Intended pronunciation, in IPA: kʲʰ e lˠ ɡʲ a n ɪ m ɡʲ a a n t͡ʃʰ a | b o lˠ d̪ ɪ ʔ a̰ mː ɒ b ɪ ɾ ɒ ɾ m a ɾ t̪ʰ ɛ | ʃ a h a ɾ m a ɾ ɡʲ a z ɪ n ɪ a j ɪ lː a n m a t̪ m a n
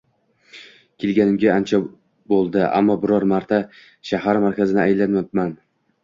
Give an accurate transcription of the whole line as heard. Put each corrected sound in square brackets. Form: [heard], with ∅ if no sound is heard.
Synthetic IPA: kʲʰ e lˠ ɡʲ a n ɪ m ɡʲ a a n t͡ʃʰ a | b o lˠ d̪ ɪ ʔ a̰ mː ɒ b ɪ ɾ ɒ ɾ m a ɾ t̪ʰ [a] | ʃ a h a ɾ m a ɾ [kʲ] a z ɪ n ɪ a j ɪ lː a n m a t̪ m a n